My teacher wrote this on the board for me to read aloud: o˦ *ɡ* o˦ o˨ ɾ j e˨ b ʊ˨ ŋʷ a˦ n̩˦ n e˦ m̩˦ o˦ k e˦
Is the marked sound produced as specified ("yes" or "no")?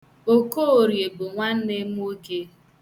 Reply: no